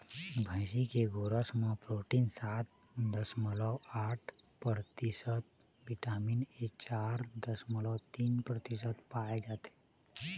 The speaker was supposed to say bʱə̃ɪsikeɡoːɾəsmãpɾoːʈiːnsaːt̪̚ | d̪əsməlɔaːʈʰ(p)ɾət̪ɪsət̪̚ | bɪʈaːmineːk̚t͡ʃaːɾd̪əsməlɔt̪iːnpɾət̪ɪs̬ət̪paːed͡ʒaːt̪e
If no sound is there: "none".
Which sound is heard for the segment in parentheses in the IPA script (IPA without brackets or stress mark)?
p